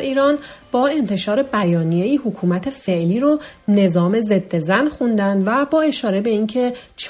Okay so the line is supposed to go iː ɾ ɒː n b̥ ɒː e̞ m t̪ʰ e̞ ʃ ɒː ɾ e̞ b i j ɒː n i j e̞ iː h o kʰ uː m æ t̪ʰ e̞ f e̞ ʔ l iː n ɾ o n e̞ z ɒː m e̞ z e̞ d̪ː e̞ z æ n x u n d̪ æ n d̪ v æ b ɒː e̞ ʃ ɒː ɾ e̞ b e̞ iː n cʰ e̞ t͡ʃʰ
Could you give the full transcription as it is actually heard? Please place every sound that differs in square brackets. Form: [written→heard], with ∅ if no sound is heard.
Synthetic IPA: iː ɾ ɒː n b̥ ɒː e̞ [m→n] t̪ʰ e̞ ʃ ɒː ɾ e̞ b [i→æ] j ɒː n i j e̞ iː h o kʰ uː m æ t̪ʰ e̞ f e̞ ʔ l iː [n→∅] ɾ o n e̞ z ɒː m e̞ z e̞ d̪ː e̞ z æ n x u n d̪ æ n d̪ v æ b ɒː e̞ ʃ ɒː ɾ e̞ b e̞ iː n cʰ e̞ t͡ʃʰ